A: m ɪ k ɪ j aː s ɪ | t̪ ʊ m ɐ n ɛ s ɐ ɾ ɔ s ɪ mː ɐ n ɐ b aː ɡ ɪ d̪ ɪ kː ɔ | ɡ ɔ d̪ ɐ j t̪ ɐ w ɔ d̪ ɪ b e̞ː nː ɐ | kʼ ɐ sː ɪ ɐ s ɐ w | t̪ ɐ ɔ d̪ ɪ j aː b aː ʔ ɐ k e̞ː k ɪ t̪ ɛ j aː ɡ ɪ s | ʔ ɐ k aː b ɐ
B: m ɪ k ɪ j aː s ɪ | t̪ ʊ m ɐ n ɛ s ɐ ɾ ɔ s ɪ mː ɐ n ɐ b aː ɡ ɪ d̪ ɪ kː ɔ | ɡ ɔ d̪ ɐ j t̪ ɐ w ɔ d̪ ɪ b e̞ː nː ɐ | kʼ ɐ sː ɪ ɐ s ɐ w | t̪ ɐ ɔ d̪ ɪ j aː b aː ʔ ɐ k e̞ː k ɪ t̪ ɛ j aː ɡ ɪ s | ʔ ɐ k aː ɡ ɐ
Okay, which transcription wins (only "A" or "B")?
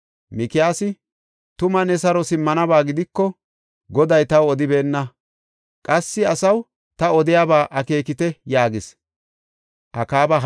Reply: A